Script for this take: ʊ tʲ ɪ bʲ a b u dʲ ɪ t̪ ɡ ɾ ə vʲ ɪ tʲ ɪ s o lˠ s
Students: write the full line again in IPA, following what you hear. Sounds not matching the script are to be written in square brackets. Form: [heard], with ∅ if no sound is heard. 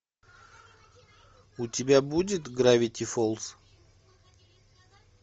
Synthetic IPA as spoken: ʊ tʲ ɪ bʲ a b u dʲ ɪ t̪ ɡ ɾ [a] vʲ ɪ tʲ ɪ [f] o lˠ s